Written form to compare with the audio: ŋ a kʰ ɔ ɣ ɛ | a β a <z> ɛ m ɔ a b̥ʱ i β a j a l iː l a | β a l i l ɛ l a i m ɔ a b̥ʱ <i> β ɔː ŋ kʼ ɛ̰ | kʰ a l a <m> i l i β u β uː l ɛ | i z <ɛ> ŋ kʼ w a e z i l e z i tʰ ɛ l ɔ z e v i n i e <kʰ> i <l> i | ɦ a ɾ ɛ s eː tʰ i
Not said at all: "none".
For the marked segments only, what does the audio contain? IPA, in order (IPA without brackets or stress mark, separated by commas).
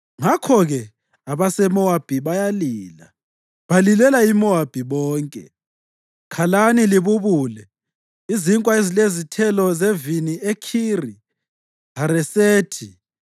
s, i, n, i, kʰ, r